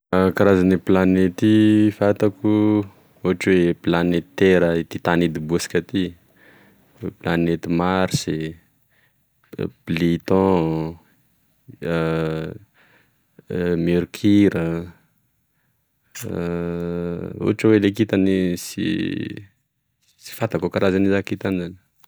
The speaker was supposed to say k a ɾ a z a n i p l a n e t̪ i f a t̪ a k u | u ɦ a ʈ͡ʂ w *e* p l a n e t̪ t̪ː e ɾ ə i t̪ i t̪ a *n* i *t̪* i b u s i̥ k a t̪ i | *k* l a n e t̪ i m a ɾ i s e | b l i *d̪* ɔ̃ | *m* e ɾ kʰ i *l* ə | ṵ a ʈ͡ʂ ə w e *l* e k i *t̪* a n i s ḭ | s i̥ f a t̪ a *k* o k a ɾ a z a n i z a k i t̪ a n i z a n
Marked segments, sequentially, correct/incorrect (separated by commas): correct, correct, incorrect, incorrect, incorrect, correct, incorrect, correct, correct, correct